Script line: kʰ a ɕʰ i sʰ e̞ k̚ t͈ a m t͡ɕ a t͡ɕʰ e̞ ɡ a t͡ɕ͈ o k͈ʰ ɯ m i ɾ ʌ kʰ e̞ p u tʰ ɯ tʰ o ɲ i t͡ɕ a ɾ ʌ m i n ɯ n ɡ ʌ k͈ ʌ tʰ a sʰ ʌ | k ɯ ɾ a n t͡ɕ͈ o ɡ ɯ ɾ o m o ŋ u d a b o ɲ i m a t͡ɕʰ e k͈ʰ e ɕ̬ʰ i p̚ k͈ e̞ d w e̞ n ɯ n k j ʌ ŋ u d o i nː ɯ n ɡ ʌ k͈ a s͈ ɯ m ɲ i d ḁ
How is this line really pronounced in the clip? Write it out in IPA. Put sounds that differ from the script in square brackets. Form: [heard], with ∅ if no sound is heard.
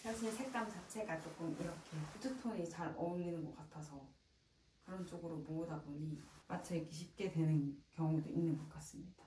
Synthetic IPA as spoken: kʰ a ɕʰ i sʰ e̞ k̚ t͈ a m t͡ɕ a t͡ɕʰ e̞ ɡ a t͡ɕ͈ o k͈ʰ ɯ m i ɾ ʌ kʰ e̞ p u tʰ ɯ tʰ o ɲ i t͡ɕ a ɾ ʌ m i n ɯ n ɡ ʌ k͈ [a] tʰ a sʰ ʌ | k ɯ ɾ [ʌ] n t͡ɕ͈ o ɡ ɯ ɾ o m o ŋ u d a b o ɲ i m a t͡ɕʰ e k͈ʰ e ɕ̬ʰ i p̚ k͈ e̞ d w e̞ n ɯ n k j ʌ ŋ u d o i nː ɯ n ɡ ʌ k͈ a s͈ ɯ m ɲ i d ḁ